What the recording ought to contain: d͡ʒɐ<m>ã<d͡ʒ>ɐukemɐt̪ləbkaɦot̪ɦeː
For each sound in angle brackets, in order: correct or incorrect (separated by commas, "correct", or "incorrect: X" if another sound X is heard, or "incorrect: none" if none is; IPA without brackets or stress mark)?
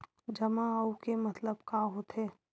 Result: correct, incorrect: none